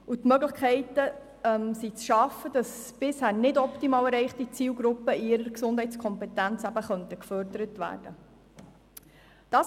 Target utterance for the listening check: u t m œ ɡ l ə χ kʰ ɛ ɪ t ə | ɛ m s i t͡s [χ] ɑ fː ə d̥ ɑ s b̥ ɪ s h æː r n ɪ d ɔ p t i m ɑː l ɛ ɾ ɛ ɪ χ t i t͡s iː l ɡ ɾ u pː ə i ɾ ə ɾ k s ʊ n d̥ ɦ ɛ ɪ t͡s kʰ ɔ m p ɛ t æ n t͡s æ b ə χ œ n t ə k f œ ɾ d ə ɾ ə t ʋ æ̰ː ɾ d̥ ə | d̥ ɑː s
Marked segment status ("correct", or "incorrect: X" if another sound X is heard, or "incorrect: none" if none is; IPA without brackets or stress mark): incorrect: ʃ